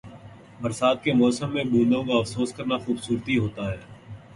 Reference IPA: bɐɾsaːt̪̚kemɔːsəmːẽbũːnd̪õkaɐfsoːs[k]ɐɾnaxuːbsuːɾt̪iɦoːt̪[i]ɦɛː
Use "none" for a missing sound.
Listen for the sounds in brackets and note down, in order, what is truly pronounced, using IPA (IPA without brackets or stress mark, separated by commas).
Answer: k, a